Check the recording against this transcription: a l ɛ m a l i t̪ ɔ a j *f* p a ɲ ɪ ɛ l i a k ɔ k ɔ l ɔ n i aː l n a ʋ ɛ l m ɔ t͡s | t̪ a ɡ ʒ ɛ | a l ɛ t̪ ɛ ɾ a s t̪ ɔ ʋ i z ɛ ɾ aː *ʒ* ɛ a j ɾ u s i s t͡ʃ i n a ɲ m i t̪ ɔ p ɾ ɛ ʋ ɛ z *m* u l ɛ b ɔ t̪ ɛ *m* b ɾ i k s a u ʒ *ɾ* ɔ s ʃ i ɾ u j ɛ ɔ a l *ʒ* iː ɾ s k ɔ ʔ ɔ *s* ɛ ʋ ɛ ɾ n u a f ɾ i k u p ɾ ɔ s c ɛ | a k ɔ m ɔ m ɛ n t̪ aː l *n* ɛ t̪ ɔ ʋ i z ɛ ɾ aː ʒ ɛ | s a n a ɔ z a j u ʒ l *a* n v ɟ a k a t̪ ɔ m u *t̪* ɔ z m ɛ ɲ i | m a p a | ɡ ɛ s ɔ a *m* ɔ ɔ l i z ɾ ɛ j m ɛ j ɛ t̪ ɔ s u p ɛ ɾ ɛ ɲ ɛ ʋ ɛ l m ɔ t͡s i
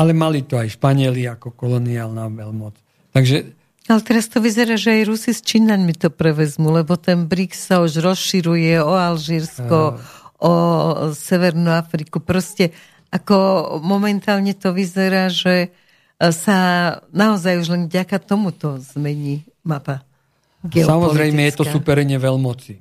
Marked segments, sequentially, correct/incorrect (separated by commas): incorrect, correct, correct, incorrect, correct, correct, correct, incorrect, incorrect, correct, correct